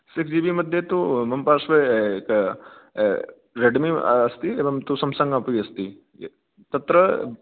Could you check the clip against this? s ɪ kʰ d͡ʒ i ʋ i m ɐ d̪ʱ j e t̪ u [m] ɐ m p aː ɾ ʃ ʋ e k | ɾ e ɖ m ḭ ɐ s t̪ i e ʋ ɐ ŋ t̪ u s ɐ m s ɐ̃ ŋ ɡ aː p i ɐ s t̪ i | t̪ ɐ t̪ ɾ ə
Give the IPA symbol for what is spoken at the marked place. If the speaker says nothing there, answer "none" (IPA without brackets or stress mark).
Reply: m